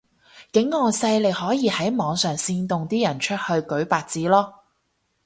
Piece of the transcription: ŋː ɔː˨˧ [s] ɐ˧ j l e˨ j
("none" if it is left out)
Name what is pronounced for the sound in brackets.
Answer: s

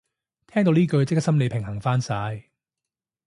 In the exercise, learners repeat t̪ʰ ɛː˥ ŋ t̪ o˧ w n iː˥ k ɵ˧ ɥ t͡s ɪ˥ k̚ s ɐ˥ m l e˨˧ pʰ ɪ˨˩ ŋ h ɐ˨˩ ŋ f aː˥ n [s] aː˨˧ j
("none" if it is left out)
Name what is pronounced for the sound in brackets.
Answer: s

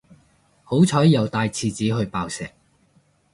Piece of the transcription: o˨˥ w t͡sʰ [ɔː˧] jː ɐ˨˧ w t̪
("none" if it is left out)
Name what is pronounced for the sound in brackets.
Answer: ɔː˨˥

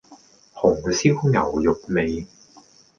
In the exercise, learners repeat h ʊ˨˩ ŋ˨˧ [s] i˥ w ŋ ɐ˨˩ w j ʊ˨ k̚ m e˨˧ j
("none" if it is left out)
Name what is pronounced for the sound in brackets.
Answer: s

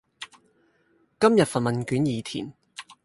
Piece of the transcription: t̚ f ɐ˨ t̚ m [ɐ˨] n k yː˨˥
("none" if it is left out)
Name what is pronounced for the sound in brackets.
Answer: ɐ˨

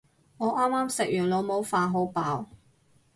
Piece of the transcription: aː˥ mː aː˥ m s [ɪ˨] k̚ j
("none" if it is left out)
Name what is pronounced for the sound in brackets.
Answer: ɪ˨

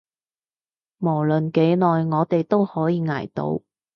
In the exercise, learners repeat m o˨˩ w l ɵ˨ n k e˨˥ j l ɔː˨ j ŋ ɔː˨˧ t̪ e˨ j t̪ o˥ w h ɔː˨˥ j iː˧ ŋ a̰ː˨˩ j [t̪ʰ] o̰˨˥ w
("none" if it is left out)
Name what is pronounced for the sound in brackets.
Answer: t̪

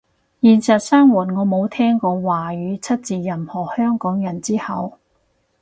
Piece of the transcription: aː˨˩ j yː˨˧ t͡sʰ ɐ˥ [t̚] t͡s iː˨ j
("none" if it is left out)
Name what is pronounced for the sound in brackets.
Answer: t̚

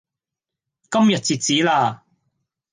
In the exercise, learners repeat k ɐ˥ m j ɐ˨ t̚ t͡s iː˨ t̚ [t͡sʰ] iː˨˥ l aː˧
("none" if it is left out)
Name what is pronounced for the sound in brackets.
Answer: t͡s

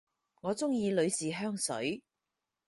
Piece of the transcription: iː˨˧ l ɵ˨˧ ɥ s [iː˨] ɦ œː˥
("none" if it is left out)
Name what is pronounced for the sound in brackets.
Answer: iː˨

